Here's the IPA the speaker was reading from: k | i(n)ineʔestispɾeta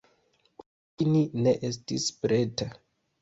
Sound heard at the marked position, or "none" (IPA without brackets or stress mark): n